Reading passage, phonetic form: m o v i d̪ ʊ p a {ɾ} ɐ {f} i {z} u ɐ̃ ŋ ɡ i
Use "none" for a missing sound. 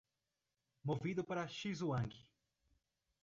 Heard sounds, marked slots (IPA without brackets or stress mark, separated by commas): ɾ, ʃ, z